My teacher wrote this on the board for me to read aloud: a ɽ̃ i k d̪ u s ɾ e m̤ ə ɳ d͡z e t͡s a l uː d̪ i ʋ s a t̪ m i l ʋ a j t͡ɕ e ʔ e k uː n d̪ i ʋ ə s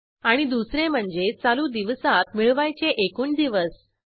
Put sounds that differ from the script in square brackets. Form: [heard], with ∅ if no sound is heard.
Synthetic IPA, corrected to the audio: a ɽ̃ i [∅] d̪ u s ɾ e m̤ ə ɳ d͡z e t͡s a l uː d̪ i ʋ s a t̪ m i [ɭ] ʋ a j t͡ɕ e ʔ e k uː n d̪ i ʋ ə s